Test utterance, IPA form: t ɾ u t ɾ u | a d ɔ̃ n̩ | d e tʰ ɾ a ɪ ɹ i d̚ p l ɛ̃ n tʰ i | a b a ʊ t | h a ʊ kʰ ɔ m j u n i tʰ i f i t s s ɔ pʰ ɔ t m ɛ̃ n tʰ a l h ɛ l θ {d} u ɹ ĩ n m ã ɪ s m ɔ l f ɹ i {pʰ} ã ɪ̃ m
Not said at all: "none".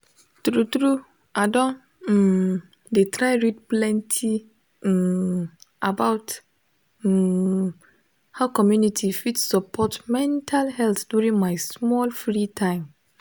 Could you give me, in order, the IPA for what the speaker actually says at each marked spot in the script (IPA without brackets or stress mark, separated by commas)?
d, tʰ